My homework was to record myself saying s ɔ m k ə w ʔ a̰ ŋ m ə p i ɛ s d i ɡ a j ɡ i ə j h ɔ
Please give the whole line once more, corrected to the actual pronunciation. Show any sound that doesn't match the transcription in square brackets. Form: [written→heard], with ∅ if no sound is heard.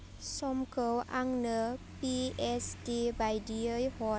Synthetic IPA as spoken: s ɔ m k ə w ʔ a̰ ŋ [m→n] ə p i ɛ s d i [ɡ→b] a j [ɡ→d] i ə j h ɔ

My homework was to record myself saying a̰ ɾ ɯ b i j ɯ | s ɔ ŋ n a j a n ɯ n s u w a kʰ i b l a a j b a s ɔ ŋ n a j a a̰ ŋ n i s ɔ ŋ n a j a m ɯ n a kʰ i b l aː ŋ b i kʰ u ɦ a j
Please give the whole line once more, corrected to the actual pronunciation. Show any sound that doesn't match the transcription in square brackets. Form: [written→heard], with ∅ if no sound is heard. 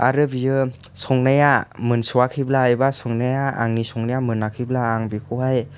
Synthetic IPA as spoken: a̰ ɾ ɯ b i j ɯ | s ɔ ŋ n a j a [n→m] ɯ n s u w a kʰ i b l a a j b a s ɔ ŋ n a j a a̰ ŋ n i s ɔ ŋ n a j a m ɯ n a kʰ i b l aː ŋ b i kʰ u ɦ a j

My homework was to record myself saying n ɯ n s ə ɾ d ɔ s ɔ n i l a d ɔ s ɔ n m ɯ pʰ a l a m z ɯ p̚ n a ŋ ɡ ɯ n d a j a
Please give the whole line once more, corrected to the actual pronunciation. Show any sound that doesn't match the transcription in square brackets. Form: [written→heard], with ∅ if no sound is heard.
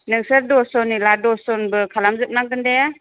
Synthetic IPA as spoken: n ɯ [n→ŋ] s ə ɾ d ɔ s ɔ n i l a d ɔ s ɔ n [m→b] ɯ [pʰ→kʰ] a l a m z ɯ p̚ n a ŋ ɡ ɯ n d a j a

